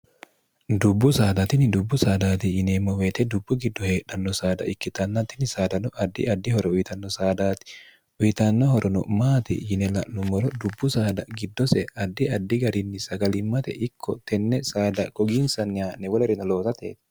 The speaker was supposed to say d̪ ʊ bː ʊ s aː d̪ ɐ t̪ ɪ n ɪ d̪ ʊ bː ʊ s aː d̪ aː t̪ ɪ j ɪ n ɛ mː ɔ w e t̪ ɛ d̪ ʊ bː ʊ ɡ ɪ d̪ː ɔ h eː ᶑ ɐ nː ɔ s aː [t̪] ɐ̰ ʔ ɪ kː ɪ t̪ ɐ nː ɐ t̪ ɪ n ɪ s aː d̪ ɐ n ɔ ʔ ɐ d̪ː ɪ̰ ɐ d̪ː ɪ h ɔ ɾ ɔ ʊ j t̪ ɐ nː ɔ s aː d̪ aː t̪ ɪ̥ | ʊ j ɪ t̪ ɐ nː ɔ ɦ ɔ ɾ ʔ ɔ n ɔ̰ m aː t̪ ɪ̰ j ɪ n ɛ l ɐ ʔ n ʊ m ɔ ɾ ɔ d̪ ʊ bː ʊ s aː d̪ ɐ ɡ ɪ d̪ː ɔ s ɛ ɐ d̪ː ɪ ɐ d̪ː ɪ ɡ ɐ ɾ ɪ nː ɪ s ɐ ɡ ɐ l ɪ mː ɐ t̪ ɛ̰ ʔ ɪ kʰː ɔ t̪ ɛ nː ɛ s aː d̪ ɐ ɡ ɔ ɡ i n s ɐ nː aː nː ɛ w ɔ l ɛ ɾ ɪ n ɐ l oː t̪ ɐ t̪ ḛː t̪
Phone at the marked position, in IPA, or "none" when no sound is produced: d̪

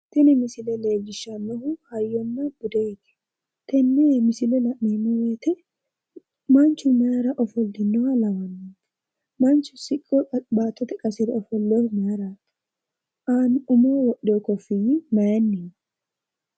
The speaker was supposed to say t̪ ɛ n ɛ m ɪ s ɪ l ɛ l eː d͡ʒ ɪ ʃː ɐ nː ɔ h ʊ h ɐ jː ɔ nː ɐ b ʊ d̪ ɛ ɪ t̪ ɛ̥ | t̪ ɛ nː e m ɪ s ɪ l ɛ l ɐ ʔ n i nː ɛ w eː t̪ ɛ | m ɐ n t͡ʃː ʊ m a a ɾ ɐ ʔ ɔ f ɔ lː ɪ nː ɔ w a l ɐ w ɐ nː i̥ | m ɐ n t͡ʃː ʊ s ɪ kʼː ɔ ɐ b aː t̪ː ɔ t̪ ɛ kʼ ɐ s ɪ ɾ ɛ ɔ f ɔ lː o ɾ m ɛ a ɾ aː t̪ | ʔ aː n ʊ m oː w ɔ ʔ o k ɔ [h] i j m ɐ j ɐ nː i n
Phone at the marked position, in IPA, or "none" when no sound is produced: f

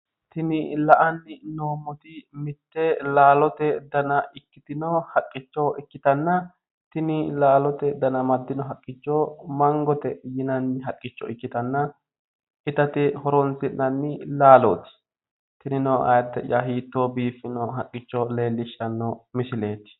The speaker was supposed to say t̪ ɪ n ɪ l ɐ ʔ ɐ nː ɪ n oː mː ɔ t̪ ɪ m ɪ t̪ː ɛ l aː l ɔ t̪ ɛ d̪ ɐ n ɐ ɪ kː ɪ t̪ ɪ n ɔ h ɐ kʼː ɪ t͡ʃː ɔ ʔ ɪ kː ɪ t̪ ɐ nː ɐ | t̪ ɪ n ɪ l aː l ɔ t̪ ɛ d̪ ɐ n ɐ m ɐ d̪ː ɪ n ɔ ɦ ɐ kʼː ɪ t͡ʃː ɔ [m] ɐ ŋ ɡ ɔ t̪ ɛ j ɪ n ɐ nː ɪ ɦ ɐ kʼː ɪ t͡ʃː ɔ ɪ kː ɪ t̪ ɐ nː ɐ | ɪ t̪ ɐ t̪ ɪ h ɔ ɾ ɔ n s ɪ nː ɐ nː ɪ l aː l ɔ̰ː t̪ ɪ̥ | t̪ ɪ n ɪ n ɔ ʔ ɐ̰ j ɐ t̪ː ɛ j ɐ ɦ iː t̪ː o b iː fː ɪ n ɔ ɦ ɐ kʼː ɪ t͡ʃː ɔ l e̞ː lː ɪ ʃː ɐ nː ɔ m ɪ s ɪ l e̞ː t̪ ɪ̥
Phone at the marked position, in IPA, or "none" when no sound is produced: m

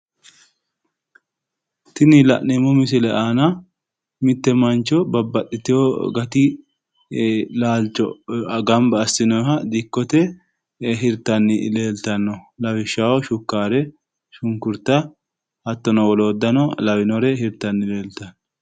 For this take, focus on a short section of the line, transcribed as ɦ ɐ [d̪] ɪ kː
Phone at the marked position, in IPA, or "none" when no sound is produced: d̪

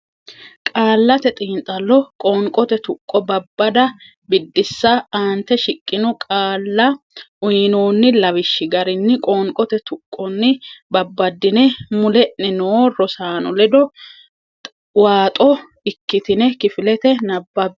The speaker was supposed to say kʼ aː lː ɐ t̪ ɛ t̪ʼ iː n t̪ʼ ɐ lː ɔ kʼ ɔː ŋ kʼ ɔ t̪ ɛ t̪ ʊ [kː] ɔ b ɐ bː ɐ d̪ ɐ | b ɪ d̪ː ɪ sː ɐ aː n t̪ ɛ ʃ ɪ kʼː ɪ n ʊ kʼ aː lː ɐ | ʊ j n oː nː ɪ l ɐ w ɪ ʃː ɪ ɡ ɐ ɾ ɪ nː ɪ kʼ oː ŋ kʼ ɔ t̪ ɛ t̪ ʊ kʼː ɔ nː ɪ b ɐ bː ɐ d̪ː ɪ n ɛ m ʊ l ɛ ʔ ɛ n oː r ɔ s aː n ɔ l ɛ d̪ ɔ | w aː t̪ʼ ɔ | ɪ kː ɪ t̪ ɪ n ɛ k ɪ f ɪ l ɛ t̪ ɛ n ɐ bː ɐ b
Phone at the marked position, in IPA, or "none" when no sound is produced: kʼː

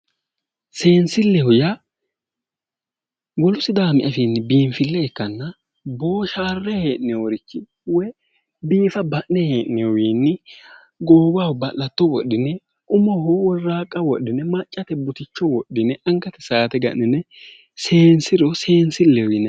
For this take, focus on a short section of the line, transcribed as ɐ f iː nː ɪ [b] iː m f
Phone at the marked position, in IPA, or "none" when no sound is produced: b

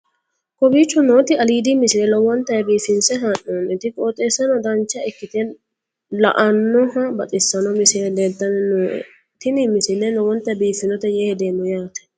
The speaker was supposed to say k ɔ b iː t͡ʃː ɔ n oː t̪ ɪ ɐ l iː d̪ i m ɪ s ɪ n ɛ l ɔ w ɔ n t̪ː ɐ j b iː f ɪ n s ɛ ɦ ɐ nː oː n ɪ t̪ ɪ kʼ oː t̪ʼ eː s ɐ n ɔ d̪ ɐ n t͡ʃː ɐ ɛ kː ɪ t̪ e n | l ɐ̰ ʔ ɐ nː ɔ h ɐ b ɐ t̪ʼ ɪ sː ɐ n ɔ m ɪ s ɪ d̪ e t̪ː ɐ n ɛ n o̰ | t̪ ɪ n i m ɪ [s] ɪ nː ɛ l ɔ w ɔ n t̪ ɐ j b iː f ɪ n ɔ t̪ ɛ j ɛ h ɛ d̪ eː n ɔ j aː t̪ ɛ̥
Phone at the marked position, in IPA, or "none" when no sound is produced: s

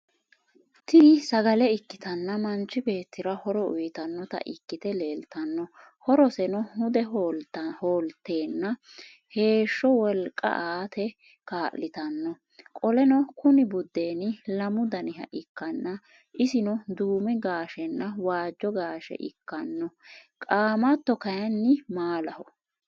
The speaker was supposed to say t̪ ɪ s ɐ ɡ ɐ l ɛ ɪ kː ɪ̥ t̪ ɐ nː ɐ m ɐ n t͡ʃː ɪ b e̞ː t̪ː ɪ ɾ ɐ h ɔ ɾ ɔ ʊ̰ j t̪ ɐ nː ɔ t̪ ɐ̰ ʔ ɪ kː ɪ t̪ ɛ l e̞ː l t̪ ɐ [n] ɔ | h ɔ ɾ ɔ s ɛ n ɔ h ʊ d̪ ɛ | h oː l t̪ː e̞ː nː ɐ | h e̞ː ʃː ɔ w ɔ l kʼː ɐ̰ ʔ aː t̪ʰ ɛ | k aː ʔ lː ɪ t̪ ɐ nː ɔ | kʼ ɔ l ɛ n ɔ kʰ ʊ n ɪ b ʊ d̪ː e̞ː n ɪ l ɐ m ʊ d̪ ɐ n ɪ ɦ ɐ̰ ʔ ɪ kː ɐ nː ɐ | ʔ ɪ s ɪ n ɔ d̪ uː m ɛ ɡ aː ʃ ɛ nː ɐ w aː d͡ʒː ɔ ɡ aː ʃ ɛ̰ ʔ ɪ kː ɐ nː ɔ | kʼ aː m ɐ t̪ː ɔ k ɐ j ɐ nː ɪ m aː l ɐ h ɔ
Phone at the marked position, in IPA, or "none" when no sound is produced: nː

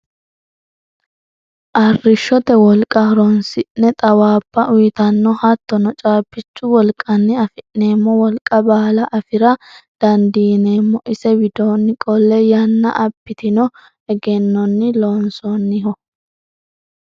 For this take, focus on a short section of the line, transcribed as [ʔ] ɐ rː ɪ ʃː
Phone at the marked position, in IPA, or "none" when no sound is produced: ʔ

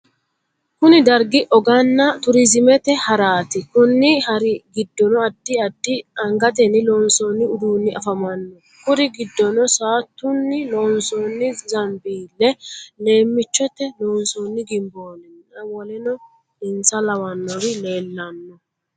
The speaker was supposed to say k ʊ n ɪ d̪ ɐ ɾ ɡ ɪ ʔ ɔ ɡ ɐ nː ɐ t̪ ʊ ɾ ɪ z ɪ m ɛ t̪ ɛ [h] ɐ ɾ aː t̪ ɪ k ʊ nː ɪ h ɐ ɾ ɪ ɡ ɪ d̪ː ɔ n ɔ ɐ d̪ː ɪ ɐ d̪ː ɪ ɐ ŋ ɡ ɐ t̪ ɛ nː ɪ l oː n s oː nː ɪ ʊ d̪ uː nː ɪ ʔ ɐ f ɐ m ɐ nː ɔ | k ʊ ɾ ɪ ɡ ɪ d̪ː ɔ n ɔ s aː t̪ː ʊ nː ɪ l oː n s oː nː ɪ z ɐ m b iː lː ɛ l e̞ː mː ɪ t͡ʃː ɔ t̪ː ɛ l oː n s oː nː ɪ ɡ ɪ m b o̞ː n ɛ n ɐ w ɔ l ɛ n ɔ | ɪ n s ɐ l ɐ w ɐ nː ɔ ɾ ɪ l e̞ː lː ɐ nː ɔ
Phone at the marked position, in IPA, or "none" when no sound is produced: h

